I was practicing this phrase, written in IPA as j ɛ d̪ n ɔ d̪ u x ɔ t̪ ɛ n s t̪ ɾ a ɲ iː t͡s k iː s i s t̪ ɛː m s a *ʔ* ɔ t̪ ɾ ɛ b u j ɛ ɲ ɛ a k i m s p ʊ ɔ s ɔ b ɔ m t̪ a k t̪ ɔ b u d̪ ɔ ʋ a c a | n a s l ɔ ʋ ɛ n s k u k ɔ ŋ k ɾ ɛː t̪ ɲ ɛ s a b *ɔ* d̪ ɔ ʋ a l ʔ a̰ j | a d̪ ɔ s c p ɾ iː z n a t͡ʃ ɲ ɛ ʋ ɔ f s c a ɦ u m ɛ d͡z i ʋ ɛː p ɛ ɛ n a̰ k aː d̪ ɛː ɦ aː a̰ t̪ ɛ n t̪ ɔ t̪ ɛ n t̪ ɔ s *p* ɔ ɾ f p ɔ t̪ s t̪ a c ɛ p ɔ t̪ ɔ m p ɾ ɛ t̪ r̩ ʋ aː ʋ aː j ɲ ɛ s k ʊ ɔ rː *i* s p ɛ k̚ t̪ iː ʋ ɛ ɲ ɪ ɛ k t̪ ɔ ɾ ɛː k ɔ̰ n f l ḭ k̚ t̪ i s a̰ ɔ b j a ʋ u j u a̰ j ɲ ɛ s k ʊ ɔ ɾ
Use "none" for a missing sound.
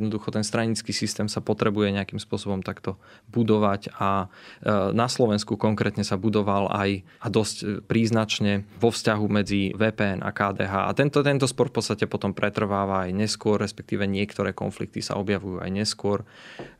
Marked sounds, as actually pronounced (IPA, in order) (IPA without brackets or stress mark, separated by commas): p, u, p, ɛ